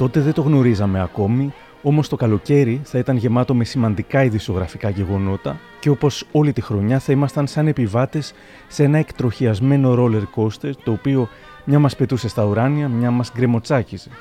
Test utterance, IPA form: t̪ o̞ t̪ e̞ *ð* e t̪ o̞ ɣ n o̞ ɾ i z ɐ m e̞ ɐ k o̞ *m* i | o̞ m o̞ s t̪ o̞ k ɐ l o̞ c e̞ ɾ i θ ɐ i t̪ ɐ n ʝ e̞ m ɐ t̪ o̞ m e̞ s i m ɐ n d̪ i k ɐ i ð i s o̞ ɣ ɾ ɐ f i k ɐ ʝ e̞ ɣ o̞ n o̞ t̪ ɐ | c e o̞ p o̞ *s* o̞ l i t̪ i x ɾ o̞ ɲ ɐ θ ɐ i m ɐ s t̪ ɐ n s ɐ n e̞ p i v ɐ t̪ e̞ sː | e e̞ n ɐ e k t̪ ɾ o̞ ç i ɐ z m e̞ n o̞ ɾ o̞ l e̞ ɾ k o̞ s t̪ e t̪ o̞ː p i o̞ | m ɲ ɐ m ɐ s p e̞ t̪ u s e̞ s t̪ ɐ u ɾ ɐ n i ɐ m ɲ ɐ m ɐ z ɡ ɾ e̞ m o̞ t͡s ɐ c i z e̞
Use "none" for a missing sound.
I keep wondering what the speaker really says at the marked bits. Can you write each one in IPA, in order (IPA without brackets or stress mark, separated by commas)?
ð, m, s